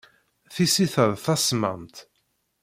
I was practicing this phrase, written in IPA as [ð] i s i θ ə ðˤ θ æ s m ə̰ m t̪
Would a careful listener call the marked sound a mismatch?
yes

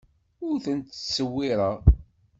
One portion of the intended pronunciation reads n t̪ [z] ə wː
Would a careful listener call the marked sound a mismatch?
yes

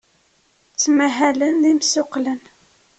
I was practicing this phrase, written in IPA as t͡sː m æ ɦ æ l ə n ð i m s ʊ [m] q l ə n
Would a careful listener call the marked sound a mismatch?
yes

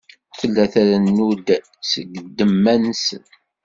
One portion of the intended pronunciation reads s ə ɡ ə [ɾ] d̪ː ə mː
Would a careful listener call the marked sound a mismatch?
yes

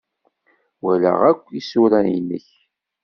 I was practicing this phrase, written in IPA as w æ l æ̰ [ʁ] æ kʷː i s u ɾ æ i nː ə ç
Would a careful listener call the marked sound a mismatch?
no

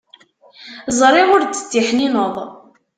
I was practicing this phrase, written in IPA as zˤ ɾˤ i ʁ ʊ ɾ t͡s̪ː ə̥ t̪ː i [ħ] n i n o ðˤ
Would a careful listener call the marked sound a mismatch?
no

